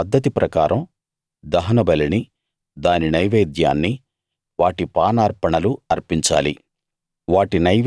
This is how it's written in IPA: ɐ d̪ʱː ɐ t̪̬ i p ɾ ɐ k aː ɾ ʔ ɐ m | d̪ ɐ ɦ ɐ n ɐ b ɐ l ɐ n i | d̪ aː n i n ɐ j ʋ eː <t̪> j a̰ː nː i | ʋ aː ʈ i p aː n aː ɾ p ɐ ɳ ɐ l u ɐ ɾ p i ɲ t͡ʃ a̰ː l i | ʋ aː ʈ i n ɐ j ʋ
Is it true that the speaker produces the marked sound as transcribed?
no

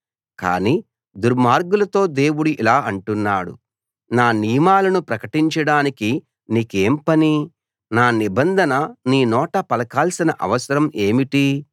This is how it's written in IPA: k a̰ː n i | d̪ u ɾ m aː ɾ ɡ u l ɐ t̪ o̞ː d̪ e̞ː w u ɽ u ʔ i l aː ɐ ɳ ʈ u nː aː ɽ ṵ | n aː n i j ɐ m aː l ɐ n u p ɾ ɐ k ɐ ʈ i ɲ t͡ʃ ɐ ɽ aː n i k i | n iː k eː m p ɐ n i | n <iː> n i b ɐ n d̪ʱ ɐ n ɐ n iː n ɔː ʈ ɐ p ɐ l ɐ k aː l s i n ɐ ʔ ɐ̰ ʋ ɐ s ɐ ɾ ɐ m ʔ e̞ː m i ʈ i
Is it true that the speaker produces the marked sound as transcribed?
no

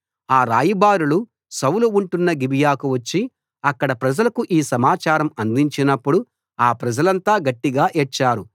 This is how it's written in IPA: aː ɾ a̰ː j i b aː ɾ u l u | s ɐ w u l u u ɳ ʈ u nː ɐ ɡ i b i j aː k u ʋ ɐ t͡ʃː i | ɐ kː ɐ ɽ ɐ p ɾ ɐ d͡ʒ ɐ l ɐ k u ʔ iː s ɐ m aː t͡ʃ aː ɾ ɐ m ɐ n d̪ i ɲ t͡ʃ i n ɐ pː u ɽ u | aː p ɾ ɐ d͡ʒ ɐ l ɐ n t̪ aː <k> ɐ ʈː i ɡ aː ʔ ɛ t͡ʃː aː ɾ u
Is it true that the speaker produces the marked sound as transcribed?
no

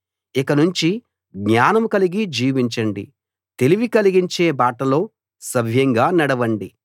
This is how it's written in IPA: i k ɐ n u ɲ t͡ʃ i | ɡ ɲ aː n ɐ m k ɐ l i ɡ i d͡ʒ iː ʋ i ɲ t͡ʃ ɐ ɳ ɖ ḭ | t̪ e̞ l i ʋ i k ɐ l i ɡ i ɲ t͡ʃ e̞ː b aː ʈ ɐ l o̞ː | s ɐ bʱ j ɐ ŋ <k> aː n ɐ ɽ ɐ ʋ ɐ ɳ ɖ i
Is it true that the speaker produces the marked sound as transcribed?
no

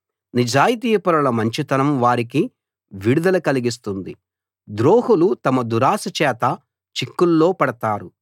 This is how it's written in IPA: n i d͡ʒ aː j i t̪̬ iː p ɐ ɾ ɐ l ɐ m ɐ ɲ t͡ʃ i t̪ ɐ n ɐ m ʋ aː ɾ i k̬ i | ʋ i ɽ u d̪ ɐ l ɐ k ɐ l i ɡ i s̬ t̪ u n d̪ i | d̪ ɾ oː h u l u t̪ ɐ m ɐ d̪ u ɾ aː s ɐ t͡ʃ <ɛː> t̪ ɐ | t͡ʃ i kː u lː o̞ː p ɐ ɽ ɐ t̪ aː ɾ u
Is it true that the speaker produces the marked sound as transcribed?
yes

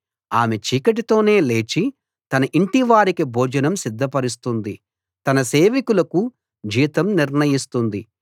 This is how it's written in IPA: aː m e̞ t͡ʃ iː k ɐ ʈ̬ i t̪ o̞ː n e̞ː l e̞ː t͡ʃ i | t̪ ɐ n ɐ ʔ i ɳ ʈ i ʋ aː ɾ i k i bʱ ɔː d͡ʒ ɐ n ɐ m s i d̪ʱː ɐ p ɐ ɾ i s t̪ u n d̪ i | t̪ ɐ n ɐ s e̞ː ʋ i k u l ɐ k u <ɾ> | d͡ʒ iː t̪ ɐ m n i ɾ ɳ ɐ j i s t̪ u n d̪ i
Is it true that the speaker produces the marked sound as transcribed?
no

